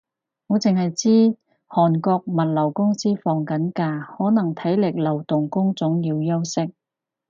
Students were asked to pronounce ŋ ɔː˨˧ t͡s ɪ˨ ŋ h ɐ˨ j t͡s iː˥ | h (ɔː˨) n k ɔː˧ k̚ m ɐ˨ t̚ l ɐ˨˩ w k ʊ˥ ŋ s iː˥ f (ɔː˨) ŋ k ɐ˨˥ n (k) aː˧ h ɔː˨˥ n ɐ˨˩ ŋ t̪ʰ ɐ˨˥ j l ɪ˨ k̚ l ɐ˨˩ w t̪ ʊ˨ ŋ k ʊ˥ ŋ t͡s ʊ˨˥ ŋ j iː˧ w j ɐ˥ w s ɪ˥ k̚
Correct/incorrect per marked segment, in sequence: correct, correct, correct

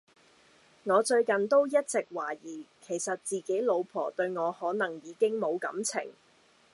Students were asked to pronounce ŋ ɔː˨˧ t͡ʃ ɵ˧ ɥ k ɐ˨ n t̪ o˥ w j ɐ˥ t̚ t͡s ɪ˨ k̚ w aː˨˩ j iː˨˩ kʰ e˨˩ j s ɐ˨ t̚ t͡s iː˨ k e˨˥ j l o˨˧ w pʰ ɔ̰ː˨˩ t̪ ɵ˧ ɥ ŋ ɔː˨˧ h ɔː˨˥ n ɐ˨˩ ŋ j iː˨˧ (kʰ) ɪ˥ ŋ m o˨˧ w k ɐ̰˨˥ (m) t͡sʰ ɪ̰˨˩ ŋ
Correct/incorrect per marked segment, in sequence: incorrect, correct

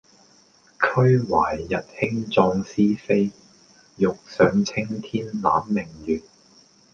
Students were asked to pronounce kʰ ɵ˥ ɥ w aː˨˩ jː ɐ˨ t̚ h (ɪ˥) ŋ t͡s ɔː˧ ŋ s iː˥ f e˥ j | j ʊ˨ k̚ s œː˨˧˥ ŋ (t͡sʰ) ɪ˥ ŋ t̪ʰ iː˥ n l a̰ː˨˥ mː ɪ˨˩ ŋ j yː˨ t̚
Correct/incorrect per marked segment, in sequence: correct, correct

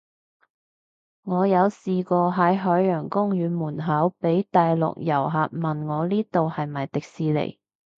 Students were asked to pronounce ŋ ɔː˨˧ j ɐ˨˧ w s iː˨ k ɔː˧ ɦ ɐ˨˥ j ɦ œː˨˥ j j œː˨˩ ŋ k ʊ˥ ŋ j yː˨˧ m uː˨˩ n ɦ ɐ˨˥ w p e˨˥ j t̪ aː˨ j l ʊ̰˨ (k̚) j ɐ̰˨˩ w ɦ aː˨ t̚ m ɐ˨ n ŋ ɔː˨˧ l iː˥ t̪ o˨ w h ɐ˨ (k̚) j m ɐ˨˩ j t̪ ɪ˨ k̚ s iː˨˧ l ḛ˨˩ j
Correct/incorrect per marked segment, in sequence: correct, incorrect

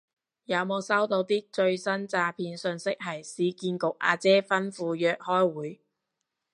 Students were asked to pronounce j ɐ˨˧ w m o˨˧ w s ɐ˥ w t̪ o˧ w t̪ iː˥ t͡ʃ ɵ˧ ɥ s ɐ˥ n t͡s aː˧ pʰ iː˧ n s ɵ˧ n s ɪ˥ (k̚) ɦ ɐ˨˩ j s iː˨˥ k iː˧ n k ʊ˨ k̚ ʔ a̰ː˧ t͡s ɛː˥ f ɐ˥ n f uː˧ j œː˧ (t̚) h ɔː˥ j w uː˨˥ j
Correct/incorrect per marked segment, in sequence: correct, incorrect

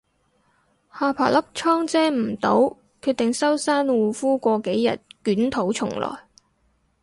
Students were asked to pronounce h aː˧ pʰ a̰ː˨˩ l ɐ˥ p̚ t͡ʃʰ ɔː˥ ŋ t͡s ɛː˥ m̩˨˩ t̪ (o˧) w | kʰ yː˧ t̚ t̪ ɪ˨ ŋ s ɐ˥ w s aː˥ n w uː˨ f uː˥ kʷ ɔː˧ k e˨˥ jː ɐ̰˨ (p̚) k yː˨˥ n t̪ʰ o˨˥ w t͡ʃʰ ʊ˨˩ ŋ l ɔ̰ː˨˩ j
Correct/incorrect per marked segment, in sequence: incorrect, incorrect

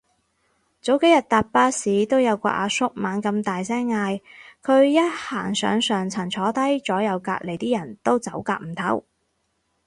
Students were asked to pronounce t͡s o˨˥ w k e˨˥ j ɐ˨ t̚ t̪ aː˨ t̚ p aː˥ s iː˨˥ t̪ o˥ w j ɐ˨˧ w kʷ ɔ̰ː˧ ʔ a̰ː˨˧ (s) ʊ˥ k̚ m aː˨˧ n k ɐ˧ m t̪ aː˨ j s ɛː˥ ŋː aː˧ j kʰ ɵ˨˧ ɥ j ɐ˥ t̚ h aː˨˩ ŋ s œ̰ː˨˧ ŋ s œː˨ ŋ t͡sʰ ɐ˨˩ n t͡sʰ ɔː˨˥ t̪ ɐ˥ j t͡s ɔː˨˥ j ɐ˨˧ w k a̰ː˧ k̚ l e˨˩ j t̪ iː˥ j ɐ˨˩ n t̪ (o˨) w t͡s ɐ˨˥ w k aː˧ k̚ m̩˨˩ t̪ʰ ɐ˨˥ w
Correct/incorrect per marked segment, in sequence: correct, incorrect

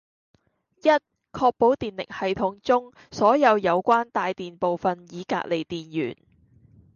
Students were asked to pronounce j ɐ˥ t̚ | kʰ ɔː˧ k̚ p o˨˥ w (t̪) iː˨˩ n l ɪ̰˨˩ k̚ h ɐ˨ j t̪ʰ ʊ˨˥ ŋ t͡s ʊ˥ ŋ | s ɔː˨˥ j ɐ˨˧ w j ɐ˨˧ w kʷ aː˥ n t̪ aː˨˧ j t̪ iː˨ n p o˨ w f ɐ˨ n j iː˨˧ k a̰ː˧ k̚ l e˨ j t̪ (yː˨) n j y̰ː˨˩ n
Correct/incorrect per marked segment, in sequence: correct, incorrect

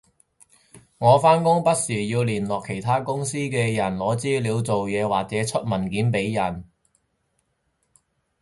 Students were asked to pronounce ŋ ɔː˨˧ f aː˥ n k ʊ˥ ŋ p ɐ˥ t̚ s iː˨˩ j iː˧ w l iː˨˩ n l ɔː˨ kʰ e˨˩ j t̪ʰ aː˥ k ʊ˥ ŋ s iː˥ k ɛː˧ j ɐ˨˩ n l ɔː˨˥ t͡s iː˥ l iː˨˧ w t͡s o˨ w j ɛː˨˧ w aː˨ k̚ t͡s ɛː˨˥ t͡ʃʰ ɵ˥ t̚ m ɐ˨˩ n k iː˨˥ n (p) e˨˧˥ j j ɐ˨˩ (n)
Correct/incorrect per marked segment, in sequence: correct, correct

